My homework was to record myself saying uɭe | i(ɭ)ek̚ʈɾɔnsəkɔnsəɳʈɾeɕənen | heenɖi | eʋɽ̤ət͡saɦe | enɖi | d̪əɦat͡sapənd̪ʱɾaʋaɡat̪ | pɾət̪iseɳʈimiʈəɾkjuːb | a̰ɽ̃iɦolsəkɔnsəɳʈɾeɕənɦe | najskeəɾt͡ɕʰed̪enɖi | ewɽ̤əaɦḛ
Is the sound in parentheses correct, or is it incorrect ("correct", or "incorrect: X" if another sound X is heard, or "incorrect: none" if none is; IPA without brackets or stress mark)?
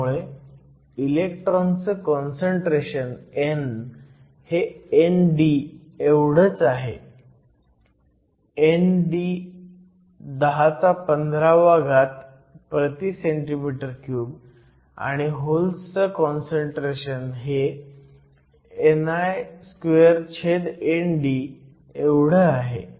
incorrect: l